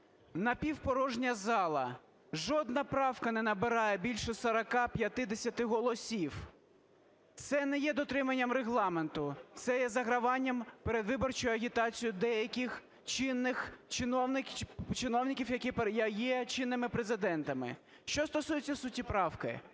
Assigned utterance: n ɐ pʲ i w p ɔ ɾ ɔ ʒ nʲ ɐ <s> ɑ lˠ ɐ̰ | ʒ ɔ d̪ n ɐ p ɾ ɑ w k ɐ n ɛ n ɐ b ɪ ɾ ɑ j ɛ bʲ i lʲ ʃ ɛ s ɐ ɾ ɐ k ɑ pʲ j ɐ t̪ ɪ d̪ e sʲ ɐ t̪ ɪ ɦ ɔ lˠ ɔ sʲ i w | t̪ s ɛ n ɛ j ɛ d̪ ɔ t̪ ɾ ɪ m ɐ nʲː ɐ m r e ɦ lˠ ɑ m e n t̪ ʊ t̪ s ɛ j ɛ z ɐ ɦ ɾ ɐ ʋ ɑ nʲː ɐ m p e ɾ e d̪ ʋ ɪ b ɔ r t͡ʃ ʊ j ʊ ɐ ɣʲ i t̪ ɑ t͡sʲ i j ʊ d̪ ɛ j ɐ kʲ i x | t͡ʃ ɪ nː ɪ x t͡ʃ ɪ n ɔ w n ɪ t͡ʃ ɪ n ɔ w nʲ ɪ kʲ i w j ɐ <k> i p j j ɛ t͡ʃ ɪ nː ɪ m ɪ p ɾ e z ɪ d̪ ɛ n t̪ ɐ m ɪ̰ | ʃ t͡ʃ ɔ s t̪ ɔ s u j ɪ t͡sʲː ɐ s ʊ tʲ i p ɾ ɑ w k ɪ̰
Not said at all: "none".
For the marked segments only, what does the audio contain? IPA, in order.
z, k

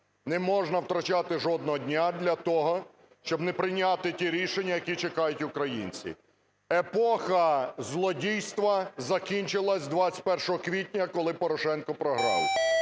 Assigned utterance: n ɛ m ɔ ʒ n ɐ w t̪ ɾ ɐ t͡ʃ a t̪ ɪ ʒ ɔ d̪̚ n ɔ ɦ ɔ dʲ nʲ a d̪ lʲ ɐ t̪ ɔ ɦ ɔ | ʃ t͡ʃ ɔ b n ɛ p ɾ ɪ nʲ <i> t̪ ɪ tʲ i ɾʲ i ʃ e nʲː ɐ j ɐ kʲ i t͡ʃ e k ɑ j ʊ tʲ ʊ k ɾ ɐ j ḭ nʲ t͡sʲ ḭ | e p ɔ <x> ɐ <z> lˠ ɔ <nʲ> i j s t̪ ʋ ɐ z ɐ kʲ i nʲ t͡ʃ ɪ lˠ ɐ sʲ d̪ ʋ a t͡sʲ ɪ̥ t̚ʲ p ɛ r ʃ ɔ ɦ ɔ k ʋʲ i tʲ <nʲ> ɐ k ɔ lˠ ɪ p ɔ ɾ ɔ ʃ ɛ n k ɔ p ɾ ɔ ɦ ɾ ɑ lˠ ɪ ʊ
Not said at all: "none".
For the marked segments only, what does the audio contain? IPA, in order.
a, x, z, dʲ, nʲ

